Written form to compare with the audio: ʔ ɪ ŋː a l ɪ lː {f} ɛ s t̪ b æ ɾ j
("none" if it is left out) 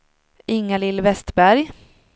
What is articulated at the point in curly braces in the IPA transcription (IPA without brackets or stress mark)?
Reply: v